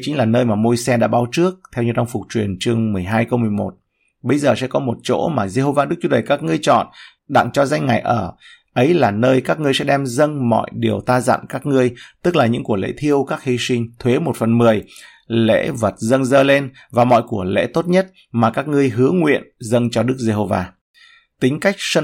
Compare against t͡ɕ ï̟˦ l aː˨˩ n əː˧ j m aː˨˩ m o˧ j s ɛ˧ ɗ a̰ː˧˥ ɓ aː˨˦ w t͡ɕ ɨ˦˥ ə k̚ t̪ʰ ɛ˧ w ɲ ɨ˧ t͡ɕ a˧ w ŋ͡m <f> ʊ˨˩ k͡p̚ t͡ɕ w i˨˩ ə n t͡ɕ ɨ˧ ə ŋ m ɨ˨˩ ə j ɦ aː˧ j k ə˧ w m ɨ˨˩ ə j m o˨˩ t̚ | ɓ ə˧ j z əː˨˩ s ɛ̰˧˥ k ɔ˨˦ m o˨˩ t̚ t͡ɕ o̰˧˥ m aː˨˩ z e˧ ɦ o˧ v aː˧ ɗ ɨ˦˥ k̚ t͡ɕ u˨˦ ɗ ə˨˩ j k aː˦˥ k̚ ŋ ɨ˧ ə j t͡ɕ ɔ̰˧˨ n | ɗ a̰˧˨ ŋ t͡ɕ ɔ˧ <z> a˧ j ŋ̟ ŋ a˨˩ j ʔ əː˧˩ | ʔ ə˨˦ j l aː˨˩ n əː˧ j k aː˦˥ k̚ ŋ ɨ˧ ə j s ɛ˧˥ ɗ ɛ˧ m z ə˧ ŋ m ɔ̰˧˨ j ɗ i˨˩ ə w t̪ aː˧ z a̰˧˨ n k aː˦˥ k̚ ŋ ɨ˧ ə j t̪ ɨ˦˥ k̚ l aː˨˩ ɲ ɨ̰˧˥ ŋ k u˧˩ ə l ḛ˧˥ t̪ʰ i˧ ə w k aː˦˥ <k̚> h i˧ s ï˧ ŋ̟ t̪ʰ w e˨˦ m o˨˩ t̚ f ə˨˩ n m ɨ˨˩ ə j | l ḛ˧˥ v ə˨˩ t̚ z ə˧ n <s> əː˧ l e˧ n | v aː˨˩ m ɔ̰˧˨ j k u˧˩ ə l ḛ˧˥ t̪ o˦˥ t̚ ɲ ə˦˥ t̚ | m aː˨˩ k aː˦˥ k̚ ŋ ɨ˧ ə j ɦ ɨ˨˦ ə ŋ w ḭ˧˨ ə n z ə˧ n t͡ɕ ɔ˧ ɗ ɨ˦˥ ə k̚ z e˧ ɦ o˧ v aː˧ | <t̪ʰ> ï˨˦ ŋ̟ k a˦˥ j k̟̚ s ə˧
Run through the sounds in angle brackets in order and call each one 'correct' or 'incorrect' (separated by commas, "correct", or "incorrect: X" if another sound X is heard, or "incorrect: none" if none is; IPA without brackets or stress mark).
correct, correct, correct, incorrect: z, incorrect: t̪